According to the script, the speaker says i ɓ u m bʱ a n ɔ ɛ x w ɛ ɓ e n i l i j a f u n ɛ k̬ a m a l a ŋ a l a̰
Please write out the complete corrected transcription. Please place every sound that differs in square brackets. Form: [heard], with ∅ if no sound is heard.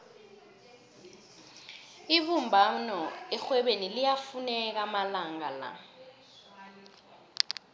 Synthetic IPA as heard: i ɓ u m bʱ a n ɔ ɛ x w ɛ ɓ e n i l i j a f u n ɛ k̬ a m a l a ŋ a l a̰